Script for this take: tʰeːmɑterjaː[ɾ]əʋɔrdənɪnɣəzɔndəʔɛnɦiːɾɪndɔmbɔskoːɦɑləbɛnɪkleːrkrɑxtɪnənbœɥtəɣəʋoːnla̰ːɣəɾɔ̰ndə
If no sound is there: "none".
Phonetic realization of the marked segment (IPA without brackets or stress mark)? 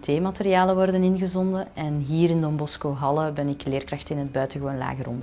l